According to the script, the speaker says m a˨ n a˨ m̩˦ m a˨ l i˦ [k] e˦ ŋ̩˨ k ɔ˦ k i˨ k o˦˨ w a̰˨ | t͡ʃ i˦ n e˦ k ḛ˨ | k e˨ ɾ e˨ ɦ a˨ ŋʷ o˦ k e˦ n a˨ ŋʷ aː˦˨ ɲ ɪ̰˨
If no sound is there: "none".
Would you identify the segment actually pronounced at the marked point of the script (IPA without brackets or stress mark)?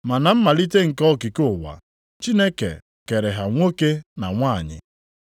t